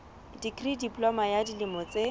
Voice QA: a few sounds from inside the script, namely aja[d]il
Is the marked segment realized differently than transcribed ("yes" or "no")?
no